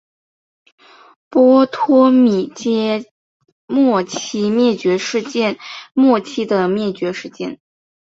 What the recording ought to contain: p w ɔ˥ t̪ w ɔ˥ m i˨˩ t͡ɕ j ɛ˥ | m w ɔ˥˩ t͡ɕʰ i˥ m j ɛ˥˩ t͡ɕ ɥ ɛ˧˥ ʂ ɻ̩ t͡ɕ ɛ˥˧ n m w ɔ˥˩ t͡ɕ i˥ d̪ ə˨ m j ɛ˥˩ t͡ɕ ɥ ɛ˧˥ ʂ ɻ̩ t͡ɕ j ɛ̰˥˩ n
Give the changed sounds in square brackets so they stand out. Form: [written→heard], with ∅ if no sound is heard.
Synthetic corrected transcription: p w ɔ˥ [t̪→t̪ʰ] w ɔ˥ m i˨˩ t͡ɕ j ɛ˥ | m w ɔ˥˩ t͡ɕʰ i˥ m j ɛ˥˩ t͡ɕ ɥ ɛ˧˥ ʂ ɻ̩ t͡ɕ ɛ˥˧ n m w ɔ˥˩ [t͡ɕ→t͡ɕʰ] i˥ d̪ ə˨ m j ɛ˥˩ t͡ɕ ɥ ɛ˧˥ ʂ ɻ̩ t͡ɕ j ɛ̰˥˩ n

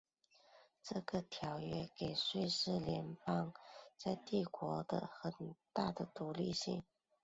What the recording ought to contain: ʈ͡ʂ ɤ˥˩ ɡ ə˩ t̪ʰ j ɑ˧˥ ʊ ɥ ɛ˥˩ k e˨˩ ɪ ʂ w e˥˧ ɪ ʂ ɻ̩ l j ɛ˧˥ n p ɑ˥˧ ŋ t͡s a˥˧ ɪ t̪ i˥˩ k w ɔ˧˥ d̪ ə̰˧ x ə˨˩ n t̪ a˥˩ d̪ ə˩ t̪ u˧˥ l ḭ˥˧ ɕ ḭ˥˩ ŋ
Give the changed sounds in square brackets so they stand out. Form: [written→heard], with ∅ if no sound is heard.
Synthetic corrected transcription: ʈ͡ʂ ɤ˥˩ ɡ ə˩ t̪ʰ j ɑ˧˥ ʊ ɥ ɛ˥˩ k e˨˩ ɪ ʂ w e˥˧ ɪ ʂ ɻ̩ l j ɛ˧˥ n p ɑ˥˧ ŋ t͡s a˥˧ ɪ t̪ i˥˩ k w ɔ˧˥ d̪ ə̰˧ x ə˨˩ n t̪ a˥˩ d̪ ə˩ t̪ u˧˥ l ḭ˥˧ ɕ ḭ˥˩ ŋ

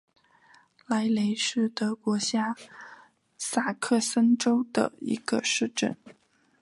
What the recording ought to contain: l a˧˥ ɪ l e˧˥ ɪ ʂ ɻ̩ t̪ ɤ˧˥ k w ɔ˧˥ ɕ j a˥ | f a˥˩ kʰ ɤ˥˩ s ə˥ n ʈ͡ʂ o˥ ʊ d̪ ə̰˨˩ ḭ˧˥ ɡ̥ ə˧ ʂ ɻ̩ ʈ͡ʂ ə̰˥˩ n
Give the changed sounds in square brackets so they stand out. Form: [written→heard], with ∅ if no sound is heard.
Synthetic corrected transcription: l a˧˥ ɪ l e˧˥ ɪ ʂ ɻ̩ t̪ ɤ˧˥ k w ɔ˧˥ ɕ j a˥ | [f→s] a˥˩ kʰ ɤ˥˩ s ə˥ n ʈ͡ʂ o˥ ʊ d̪ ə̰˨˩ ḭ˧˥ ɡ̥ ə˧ ʂ ɻ̩ ʈ͡ʂ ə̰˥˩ n

